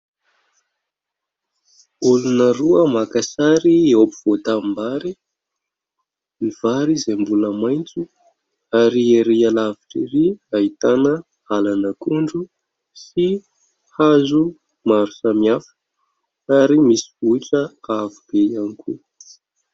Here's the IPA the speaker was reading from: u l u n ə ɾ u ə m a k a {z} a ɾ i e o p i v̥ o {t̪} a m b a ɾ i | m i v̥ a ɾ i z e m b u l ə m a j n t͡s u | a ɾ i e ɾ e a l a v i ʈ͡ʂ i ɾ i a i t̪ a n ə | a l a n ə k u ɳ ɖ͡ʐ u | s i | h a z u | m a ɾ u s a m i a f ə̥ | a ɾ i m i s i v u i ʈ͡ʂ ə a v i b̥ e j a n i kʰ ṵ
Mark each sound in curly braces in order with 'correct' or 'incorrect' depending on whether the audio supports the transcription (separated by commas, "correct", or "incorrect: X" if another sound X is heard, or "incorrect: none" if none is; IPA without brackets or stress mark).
incorrect: s, correct